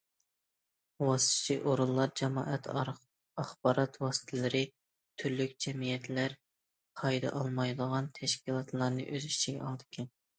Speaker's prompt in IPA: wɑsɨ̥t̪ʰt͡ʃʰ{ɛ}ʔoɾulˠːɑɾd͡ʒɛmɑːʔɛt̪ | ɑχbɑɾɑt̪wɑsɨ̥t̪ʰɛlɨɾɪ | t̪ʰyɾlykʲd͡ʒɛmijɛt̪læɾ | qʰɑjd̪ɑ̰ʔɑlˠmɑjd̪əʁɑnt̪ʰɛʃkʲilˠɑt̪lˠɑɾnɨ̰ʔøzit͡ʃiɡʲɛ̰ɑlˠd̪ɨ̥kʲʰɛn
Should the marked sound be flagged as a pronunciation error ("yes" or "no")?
yes